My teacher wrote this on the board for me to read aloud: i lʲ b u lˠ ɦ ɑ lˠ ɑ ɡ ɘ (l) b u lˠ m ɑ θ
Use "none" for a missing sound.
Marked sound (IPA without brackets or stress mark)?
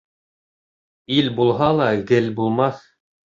l